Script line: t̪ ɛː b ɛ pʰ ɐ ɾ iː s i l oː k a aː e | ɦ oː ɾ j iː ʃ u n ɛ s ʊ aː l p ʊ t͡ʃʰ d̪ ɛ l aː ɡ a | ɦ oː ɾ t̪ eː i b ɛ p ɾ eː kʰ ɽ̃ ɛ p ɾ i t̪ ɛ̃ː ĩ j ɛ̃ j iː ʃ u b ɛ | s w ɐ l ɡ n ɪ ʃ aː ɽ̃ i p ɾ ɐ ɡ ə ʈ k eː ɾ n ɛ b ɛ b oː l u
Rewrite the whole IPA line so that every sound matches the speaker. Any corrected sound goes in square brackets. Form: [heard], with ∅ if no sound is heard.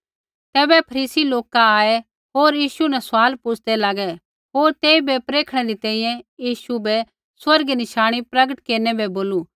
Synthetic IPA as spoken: t̪ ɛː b ɛ pʰ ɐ ɾ iː s i l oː k a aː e | ɦ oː ɾ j iː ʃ u n ɛ s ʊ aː l p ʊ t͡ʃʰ d̪ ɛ l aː ɡ [ɛ] | ɦ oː ɾ t̪ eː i b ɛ p ɾ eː kʰ ɽ̃ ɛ [∅] ɾ i t̪ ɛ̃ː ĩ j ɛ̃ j iː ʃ u b ɛ | s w ɐ [ɾ] ɡ n ɪ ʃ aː ɽ̃ i p ɾ ɐ ɡ ə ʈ k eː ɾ n ɛ b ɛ b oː l u